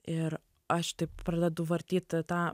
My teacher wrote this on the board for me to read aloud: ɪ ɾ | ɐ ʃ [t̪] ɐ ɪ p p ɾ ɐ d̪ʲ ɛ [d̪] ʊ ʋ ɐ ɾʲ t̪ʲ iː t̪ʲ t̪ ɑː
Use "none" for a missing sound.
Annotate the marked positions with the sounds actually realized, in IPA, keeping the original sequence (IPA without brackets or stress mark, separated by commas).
t̪, d̪